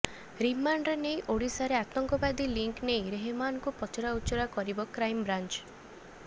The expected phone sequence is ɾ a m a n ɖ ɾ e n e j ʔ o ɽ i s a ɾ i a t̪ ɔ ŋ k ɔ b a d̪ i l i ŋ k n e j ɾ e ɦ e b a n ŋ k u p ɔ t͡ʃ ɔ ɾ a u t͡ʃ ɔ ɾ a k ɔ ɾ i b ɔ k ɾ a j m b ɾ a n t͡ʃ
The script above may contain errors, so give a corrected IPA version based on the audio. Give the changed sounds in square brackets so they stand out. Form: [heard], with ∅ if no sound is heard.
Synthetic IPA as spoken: ɾ [i] m a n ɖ ɾ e n e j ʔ o ɽ i s a ɾ [e] a t̪ ɔ ŋ k ɔ b a d̪ i l i ŋ k n e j ɾ e ɦ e [m] a n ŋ k u p ɔ t͡ʃ ɔ ɾ a u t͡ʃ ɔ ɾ a k ɔ ɾ i b ɔ k ɾ a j m b ɾ a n t͡ʃ